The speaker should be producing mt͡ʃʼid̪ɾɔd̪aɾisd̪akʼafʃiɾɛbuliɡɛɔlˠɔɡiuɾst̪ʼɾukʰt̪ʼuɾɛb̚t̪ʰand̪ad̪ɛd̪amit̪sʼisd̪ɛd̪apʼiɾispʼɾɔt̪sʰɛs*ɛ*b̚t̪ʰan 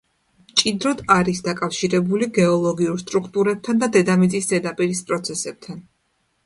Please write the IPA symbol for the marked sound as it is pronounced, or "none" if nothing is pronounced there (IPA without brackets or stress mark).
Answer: ɛ